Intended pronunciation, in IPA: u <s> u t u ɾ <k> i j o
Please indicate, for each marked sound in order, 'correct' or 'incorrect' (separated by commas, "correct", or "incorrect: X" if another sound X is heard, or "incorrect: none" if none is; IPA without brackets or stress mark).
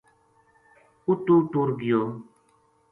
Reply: incorrect: t, incorrect: ɡ